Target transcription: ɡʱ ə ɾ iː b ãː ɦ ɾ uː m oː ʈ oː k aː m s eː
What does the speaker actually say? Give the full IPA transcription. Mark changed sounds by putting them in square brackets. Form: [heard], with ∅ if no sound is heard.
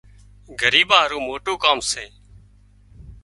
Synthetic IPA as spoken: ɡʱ ə ɾ iː b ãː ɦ ɾ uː m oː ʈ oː k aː m s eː